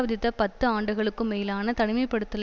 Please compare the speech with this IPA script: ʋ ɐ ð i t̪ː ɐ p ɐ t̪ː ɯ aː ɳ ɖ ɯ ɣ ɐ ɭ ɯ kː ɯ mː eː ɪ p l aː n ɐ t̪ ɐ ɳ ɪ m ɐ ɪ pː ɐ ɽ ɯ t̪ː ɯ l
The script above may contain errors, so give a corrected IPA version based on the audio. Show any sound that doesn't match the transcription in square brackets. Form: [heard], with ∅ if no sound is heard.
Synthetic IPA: ʋ ɐ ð [ɪ] t̪ː ɐ p ɐ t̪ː ɯ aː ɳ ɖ ɯ ɣ ɐ ɭ ɯ kː ɯ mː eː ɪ [∅] l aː n ɐ t̪ ɐ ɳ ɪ m ɐ ɪ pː ɐ ɽ ɯ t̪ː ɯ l